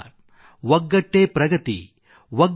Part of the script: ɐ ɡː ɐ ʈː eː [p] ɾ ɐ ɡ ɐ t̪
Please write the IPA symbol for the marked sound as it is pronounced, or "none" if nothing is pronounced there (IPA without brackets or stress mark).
p